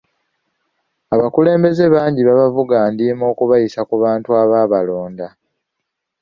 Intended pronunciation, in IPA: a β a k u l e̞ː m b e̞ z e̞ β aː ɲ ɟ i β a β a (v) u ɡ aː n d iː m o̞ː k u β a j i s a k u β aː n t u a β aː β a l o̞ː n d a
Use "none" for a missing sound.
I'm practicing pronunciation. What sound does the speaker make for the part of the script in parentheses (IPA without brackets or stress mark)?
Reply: v